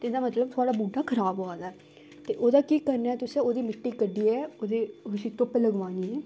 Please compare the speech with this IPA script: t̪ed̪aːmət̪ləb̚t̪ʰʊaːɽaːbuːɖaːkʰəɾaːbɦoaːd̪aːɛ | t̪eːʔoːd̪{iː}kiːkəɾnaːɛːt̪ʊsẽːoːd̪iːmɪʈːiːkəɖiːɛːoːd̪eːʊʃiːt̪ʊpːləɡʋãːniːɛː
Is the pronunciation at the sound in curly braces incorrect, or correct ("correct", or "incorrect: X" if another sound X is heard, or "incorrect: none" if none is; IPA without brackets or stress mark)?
incorrect: aː